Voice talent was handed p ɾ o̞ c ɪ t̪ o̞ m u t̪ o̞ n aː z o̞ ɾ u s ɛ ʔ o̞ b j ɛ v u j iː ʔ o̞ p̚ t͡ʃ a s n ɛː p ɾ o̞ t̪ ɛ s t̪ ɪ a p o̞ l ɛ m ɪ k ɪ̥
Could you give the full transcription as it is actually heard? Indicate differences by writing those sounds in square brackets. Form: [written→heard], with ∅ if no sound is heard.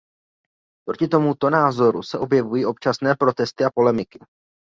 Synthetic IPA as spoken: p ɾ o̞ c ɪ t̪ o̞ m u t̪ o̞ n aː z o̞ ɾ u s ɛ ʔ o̞ b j ɛ v u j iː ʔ o̞ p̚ t͡ʃ a s n ɛː p ɾ o̞ t̪ ɛ s t̪ ɪ a p o̞ l ɛ m ɪ k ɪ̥